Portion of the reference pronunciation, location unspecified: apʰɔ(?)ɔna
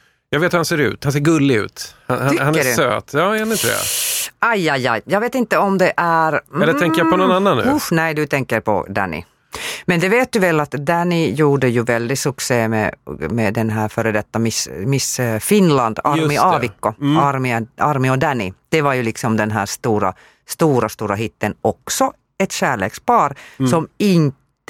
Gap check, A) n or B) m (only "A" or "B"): A